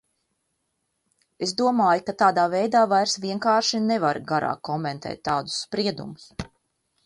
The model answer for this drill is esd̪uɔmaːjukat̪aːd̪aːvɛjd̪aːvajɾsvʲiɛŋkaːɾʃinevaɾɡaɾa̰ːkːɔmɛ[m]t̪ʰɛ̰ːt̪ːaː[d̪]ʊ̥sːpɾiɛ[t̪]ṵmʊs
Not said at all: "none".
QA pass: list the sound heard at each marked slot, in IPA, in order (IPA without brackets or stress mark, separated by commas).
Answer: n, d̪, d̪